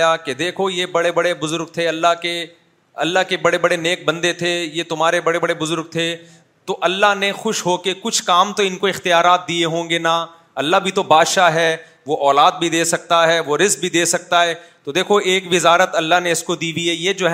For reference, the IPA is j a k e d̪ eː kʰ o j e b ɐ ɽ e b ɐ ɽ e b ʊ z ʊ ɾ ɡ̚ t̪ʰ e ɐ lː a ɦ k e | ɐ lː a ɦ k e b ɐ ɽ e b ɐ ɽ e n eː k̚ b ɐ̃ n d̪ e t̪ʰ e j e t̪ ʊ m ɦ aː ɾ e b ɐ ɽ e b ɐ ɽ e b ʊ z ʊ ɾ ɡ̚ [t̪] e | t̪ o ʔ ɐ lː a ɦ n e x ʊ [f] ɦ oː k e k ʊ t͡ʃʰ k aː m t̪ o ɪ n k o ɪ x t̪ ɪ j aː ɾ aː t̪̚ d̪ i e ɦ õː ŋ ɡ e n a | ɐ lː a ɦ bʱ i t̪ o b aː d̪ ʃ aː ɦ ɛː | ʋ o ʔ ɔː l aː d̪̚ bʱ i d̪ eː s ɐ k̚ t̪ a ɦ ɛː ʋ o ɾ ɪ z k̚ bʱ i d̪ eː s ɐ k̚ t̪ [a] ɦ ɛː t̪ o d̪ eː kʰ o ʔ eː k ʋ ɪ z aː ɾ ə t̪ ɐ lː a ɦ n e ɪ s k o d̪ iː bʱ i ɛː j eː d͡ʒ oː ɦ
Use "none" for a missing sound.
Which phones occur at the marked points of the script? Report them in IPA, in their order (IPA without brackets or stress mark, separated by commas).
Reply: t̪ʰ, ʃ, a